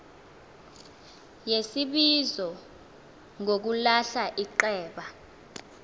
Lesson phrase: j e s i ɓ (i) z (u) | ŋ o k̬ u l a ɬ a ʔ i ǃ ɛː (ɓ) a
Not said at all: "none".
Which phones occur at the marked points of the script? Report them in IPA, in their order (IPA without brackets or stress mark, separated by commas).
i, ɔ, ɓ